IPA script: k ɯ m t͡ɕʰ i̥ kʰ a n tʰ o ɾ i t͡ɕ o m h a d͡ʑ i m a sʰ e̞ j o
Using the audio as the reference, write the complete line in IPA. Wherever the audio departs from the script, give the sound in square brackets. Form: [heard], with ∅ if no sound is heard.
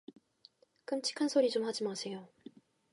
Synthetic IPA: k ɯ m t͡ɕʰ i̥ kʰ a n [sʰ] o ɾ i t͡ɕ o m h a d͡ʑ i m a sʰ e̞ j o